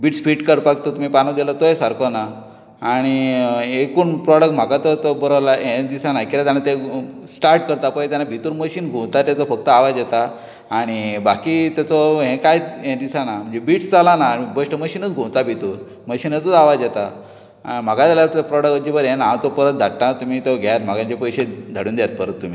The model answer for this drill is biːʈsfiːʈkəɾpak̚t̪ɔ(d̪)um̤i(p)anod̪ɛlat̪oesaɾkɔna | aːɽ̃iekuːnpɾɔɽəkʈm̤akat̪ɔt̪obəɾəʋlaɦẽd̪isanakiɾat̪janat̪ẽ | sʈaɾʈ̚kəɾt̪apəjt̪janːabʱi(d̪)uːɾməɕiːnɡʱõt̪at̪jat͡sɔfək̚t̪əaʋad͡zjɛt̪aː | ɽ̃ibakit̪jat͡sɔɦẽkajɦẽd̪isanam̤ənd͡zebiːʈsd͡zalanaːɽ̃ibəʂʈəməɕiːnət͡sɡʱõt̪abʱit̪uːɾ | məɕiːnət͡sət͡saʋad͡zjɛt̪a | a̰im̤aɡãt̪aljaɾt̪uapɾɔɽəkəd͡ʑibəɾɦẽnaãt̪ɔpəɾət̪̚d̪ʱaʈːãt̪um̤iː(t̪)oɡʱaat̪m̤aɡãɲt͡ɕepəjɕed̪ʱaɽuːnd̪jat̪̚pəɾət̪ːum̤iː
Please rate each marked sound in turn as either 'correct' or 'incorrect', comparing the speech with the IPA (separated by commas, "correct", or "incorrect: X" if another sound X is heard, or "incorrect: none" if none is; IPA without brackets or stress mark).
incorrect: t̪, correct, incorrect: t̪, correct